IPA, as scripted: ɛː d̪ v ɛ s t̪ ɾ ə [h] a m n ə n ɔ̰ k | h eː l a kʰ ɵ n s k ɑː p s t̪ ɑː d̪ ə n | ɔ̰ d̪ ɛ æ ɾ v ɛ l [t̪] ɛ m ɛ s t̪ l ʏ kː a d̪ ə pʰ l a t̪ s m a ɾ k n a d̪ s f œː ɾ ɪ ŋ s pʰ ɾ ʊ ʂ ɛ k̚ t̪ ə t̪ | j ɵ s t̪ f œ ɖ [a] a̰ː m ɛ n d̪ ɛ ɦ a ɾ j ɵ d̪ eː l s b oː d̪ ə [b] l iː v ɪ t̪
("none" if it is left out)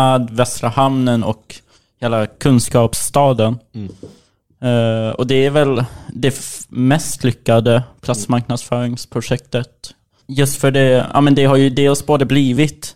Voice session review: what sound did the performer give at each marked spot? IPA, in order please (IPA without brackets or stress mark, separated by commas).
h, d̪, ɛ, b